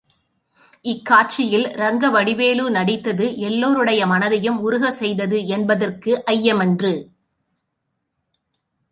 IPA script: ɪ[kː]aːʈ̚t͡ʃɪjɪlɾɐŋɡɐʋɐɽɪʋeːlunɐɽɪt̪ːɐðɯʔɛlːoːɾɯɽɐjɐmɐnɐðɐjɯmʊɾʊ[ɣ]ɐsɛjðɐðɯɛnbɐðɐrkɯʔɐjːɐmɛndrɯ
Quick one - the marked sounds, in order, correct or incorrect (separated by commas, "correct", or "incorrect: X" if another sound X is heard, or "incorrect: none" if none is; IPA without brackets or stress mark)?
correct, correct